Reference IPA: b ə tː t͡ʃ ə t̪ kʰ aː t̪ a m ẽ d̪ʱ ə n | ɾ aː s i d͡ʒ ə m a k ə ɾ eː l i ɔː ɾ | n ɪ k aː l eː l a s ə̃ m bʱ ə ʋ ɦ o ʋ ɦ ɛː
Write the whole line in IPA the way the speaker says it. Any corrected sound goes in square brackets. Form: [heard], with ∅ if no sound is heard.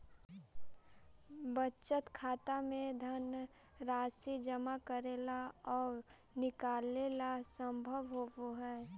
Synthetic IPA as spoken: b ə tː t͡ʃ ə t̪ kʰ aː t̪ a m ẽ d̪ʱ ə n | ɾ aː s i d͡ʒ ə m a k ə ɾ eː l [a] ɔː ɾ | n ɪ k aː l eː l a s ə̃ m bʱ ə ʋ ɦ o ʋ ɦ ɛː